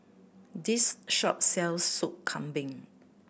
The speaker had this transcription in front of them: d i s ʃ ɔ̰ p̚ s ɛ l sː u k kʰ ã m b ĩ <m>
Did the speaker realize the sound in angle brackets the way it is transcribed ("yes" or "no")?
no